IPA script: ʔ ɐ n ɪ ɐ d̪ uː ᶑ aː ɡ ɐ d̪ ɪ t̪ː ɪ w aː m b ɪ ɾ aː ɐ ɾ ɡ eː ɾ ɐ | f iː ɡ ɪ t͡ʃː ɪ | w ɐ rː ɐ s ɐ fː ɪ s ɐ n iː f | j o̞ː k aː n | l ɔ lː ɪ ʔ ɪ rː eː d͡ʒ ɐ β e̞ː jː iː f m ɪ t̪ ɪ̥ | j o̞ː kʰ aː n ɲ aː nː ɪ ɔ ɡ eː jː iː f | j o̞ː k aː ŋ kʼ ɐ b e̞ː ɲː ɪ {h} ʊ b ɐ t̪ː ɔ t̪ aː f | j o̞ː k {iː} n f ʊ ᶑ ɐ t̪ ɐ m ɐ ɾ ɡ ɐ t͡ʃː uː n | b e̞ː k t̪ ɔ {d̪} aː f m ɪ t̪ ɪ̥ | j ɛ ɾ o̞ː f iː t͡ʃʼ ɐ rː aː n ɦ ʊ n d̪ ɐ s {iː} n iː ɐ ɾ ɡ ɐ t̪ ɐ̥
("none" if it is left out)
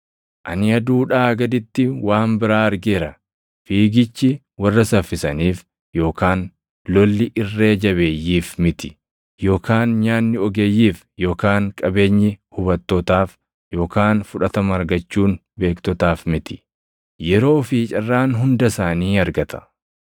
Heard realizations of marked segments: h, aː, t̪, aː

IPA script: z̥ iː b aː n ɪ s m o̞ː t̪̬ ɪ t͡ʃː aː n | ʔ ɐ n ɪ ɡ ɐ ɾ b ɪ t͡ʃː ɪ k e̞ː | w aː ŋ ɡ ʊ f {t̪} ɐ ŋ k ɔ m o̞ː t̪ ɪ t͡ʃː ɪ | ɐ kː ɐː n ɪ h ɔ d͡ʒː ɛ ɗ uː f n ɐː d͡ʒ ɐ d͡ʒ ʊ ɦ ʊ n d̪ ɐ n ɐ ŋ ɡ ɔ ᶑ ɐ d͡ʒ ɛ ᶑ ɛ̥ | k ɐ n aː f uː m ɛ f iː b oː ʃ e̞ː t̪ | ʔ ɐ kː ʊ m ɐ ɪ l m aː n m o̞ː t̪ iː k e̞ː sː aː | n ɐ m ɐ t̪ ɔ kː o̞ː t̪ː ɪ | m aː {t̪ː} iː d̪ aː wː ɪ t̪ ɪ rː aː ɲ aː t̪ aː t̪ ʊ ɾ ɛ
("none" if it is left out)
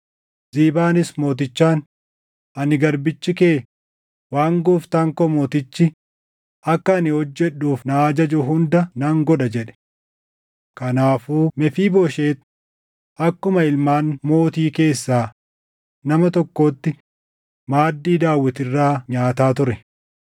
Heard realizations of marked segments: t̪, d̪ː

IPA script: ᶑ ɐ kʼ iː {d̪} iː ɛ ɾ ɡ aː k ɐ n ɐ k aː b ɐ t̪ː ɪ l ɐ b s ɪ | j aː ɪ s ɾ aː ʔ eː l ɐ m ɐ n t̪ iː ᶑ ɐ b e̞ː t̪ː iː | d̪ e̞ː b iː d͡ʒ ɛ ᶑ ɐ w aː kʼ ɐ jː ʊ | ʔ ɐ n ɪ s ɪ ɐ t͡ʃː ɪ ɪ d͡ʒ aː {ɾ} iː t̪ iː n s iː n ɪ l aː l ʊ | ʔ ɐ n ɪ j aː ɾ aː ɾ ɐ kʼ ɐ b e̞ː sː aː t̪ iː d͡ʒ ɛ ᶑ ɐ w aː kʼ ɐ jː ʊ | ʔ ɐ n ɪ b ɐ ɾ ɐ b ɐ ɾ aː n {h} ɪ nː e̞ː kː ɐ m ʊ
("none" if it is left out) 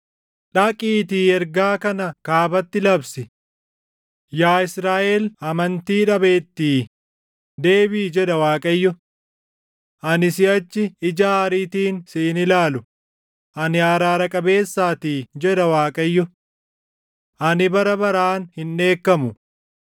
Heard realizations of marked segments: t̪, ɾ, h

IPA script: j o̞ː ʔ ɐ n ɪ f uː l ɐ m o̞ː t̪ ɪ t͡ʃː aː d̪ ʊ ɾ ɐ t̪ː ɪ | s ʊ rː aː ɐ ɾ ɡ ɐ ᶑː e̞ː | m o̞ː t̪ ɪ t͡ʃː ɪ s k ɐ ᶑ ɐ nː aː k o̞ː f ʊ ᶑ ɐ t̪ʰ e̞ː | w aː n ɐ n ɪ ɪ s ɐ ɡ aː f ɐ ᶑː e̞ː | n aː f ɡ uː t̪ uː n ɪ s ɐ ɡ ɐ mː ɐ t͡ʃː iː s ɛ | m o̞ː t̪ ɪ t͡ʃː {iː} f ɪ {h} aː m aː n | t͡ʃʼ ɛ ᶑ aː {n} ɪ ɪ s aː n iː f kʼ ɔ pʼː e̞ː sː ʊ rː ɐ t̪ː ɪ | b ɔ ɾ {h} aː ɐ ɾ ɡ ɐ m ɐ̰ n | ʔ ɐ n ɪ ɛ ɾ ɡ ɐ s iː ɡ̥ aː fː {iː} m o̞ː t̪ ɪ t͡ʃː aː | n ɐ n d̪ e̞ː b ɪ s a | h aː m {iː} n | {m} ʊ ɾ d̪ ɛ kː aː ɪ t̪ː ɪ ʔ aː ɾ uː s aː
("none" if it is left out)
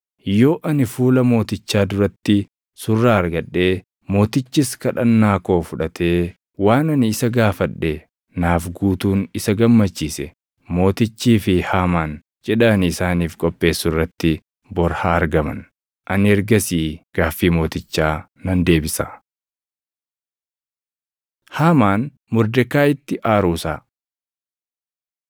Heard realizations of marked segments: iː, h, n, h, iː, aː, m

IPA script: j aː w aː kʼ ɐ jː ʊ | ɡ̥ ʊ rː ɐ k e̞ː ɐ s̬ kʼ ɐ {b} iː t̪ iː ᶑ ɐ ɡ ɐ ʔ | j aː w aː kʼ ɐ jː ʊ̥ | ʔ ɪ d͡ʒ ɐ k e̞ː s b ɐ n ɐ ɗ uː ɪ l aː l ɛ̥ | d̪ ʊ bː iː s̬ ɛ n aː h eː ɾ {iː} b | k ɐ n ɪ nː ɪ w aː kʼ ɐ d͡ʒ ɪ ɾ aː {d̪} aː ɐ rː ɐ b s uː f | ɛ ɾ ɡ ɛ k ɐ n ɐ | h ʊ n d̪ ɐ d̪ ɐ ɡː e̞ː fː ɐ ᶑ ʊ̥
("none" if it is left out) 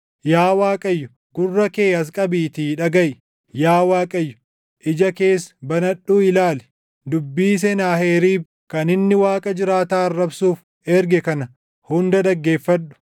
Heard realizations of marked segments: b, iː, t̪

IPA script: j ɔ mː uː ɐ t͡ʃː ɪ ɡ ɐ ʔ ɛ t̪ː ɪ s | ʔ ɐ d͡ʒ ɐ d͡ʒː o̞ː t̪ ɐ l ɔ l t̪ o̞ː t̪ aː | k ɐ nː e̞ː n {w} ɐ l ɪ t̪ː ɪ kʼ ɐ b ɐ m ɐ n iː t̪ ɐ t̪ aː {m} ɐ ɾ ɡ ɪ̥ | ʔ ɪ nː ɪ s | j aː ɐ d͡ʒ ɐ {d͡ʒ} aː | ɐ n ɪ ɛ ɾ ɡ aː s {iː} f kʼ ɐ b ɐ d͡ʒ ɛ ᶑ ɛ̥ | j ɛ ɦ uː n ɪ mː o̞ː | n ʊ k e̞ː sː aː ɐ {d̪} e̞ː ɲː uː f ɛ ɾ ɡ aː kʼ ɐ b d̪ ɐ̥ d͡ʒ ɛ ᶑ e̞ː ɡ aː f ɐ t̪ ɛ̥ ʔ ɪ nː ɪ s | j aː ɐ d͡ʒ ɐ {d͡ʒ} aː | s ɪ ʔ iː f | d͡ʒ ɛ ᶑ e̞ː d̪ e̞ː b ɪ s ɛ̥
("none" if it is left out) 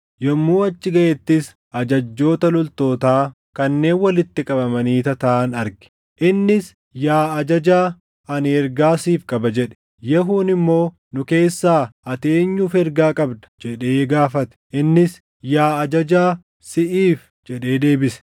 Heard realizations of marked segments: w, n, d͡ʒ, iː, t̪, d͡ʒ

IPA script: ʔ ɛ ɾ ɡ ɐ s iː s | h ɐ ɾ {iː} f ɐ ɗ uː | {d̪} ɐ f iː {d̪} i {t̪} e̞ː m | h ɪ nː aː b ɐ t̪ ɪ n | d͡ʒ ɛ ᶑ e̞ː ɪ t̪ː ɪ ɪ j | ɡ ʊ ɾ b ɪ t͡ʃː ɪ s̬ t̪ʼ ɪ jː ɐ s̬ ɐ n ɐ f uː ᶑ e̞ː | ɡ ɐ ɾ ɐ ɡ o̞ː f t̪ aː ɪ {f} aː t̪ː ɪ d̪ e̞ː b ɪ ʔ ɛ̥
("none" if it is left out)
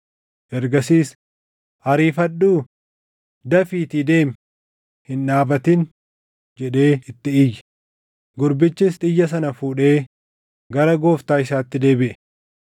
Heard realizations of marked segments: iː, d̪, t̪, d̪, s

